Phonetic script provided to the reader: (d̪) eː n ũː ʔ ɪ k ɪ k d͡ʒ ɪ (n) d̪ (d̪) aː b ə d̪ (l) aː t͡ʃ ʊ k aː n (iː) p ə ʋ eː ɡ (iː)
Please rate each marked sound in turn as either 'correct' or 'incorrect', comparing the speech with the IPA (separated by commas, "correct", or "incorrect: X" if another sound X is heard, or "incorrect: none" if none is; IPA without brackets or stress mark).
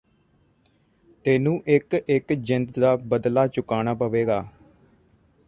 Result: incorrect: t̪, correct, correct, correct, incorrect: aː, incorrect: aː